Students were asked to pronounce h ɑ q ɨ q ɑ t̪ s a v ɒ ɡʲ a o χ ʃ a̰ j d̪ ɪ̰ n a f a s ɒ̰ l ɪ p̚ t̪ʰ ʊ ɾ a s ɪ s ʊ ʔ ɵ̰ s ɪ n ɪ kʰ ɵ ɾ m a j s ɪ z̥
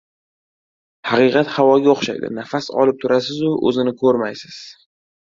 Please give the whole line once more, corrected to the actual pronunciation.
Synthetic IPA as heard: h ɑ q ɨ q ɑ t̪ h a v ɒ ɡʲ a o χ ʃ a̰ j d̪ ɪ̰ n a f a s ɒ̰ l ɪ p̚ t̪ʰ ʊ ɾ a s ɪ z ʊ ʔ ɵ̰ z ɪ n ɪ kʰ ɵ ɾ m a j s ɪ z̥